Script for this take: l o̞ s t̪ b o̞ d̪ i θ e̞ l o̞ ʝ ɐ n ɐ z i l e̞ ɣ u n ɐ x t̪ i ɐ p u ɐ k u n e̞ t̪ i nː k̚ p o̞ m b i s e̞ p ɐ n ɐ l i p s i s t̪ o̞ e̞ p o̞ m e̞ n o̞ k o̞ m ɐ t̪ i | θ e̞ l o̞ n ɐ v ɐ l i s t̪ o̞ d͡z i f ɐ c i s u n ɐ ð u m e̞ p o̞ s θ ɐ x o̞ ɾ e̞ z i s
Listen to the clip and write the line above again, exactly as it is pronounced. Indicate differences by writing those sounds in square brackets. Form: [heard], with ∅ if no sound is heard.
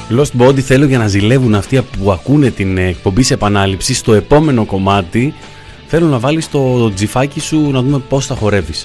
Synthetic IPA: l o̞ s t̪ b o̞ d̪ i θ e̞ l o̞ ʝ ɐ n ɐ z i l e̞ [v] u n ɐ [f] t̪ i ɐ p u ɐ k u n e̞ t̪ i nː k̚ p o̞ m b i s e̞ p ɐ n ɐ l i p s i s t̪ o̞ e̞ p o̞ m e̞ n o̞ k o̞ m ɐ t̪ i | θ e̞ l o̞ n ɐ v ɐ l i s t̪ o̞ d͡z i f ɐ c i s u n ɐ ð u m e̞ p o̞ s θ ɐ x o̞ ɾ e̞ [v] i s